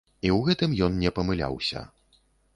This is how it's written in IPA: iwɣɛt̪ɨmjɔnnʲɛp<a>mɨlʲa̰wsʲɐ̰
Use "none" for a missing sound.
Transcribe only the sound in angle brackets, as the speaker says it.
ɐ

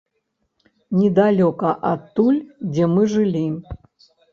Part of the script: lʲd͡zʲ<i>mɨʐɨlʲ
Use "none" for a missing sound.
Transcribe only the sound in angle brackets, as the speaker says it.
ɛ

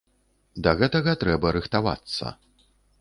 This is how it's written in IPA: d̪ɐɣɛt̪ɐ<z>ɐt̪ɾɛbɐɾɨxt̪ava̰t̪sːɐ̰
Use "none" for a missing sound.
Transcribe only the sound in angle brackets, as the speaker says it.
ɣ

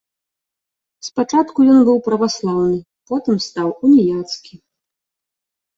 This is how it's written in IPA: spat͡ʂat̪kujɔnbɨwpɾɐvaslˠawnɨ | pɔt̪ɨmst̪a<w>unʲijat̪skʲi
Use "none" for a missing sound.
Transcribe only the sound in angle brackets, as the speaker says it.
w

